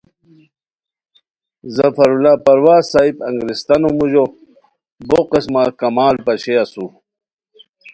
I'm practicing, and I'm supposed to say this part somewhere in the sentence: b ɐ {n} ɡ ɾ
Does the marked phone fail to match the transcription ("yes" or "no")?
yes